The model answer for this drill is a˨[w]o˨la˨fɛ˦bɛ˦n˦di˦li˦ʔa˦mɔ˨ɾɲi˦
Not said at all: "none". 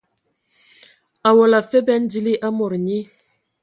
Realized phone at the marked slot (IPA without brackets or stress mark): w